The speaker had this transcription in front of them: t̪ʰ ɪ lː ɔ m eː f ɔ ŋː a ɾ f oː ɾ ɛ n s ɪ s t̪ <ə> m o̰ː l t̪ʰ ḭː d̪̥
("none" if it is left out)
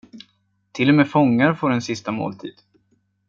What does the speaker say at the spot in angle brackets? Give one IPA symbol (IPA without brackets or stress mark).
a